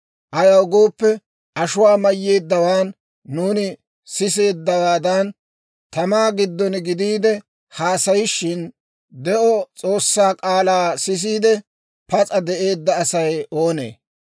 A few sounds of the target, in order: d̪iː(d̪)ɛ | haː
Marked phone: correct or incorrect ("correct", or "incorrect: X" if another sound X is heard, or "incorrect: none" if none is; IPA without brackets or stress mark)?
correct